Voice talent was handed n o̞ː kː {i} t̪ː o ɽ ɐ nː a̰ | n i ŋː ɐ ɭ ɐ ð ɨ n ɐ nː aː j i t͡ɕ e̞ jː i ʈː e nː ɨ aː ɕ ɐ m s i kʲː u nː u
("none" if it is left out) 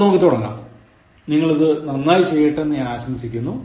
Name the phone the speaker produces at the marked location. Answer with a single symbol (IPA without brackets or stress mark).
i